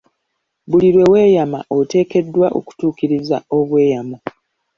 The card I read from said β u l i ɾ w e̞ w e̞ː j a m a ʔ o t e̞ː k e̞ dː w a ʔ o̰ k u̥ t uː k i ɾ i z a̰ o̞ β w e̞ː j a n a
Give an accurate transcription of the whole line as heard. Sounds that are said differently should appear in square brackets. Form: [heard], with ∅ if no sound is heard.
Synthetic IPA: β u l i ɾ w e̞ w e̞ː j a m a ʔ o t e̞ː k e̞ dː w a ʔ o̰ k u̥ t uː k i ɾ i z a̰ o̞ β w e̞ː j a [m] a